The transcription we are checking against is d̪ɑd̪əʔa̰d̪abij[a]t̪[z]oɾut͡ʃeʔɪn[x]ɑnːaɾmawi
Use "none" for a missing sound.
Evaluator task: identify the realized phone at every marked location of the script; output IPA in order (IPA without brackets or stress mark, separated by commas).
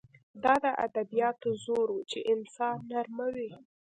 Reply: ɑ, z, s